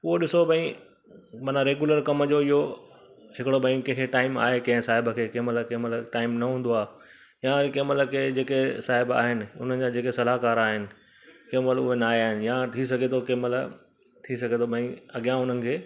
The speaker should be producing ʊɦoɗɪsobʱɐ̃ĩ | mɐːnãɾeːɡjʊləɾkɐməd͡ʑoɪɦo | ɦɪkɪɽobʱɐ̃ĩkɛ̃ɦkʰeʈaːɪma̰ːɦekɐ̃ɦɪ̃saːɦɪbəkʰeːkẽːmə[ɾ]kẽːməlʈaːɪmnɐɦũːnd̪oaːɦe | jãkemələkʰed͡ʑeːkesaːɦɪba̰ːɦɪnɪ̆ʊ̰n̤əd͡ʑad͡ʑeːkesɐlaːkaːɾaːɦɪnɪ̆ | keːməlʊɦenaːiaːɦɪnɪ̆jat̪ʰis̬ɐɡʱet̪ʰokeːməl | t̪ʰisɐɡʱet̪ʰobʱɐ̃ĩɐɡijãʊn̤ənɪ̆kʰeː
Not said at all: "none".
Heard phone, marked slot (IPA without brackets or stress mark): l